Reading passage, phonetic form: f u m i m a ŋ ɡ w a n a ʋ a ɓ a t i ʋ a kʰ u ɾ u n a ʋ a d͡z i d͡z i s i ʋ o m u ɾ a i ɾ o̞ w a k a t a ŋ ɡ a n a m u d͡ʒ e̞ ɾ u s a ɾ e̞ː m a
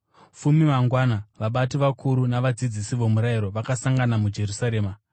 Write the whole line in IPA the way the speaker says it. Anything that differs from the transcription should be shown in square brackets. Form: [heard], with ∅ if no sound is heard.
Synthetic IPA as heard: f u m i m a ŋ ɡ w a n a ʋ a ɓ a t i ʋ a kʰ u ɾ u n a ʋ a d͡z i d͡z i s i ʋ o m u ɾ a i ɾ o̞ [ʋ] a k a [s] a ŋ ɡ a n a m u d͡ʒ e̞ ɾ u s a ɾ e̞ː m a